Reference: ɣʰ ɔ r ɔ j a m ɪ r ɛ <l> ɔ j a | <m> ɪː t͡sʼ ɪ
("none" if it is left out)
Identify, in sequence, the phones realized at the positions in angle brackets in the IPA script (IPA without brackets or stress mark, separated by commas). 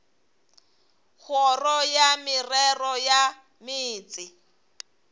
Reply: r, m